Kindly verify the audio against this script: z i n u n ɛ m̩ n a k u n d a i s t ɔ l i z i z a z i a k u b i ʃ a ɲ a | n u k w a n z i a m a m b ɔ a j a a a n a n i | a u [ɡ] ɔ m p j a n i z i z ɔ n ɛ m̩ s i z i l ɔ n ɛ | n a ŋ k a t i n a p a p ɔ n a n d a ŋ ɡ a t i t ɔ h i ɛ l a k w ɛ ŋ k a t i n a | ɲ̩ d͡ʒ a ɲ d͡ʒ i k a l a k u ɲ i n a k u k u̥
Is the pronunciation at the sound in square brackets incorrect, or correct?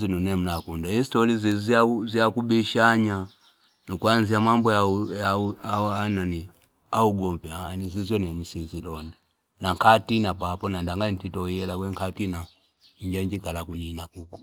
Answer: correct